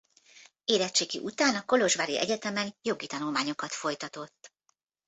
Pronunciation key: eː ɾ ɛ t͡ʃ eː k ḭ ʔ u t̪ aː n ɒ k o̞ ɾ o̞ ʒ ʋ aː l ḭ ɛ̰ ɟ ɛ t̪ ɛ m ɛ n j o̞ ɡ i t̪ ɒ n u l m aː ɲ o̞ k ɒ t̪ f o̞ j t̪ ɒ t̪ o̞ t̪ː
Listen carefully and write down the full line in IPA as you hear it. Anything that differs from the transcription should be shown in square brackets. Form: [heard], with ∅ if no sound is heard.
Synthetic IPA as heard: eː ɾ ɛ t͡ʃ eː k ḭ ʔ u t̪ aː n ɒ k o̞ [l] o̞ ʒ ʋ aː [ɾ] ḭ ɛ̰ ɟ ɛ t̪ ɛ m ɛ n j o̞ ɡ i t̪ ɒ n u l m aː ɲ o̞ k ɒ t̪ f o̞ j t̪ ɒ t̪ o̞ t̪ː